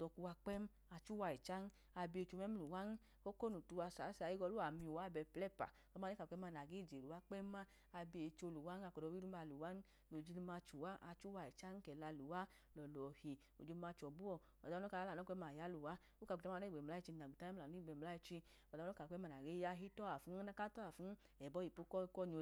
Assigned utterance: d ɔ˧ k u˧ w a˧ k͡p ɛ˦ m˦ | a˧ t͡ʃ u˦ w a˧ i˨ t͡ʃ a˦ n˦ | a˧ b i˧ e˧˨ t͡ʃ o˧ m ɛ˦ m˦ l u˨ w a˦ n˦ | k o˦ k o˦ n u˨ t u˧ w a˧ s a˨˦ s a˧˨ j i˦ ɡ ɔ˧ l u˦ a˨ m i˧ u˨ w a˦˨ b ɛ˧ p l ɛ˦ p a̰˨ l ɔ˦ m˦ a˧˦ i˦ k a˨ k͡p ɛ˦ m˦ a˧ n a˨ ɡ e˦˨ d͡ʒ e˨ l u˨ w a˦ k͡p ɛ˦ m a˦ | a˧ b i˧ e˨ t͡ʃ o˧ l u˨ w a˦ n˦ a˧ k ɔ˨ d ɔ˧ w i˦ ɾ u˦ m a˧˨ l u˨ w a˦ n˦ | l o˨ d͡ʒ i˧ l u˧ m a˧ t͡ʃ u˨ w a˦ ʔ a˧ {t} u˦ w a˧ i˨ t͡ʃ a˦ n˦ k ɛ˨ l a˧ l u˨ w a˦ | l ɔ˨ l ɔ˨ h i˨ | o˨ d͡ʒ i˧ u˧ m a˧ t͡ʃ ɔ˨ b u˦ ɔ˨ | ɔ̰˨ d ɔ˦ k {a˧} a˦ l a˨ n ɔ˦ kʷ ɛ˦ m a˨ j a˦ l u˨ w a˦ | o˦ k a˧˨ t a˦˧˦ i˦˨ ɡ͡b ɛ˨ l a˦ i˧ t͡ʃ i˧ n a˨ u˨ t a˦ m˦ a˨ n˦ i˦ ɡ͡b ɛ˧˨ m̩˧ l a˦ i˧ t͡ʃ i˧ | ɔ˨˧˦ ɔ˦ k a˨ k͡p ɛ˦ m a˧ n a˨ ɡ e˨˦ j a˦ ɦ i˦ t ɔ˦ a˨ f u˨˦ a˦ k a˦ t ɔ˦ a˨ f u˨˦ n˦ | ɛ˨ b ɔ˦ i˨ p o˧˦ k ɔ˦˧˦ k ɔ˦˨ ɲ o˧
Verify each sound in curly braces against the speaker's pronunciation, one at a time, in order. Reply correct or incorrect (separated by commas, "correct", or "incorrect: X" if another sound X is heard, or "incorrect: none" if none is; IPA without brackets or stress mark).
incorrect: t͡ʃ, correct